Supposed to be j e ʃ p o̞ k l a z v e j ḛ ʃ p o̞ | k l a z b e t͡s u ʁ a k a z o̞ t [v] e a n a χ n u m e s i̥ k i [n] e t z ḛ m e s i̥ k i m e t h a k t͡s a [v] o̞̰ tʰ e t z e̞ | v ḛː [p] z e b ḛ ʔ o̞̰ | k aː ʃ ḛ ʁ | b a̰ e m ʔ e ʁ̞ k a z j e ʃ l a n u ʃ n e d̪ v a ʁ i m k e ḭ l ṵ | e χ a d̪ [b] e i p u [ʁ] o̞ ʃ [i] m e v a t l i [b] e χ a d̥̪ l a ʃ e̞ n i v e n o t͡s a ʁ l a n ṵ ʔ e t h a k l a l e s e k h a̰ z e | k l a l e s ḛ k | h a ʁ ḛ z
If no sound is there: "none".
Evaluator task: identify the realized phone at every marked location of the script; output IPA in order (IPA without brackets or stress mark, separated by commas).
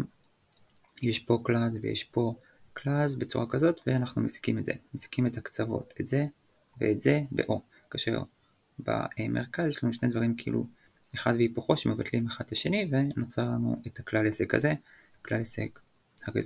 v, m, v, t, v, χ, e, m